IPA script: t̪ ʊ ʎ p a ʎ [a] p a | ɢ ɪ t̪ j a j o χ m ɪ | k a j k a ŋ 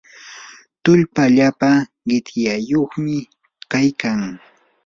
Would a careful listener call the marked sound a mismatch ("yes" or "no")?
no